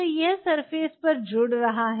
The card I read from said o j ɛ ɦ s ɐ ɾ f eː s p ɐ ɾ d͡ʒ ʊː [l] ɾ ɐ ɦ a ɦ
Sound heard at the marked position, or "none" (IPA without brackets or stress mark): ɽ